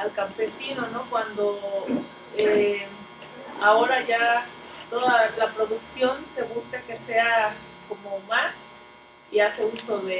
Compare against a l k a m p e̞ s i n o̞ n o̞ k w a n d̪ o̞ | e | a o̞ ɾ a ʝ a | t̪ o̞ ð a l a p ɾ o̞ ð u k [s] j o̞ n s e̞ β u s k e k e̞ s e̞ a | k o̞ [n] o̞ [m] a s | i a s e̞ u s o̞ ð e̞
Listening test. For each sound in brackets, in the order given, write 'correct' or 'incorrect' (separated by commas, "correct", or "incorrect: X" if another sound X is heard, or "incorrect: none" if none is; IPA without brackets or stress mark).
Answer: correct, incorrect: m, correct